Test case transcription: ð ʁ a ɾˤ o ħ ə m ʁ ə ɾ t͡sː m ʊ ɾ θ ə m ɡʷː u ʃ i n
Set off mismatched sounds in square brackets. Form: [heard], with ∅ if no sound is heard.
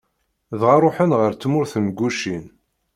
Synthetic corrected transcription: ð ʁ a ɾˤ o ħ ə [n] ʁ ə ɾ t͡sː m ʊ ɾ θ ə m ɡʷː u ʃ i n